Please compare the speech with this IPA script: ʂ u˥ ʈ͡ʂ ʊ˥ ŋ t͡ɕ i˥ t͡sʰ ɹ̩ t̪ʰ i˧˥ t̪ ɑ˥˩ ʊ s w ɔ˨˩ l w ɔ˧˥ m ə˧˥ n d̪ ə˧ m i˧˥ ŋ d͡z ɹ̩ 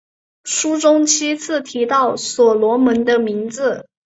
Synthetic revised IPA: ʂ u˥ ʈ͡ʂ ʊ˥ ŋ t͡ɕʰ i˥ t͡sʰ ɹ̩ t̪ʰ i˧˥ t̪ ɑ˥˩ ʊ s w ɔ˨˩ l w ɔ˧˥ m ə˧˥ n d̪ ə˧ m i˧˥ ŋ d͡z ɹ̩